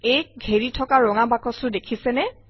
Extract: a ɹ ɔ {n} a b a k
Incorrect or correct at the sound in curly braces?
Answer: incorrect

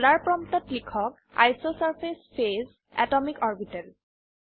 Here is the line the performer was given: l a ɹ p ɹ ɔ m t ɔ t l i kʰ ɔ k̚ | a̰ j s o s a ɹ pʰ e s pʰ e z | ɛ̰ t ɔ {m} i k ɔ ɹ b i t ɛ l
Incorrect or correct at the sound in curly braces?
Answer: correct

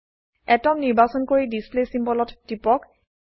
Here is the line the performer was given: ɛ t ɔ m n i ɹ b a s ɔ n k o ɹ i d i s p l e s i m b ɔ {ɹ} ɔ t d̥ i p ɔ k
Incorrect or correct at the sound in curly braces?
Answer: incorrect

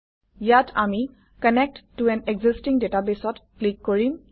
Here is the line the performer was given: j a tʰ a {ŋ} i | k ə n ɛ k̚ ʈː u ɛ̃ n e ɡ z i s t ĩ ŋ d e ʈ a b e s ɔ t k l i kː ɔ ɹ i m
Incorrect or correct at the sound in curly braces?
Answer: incorrect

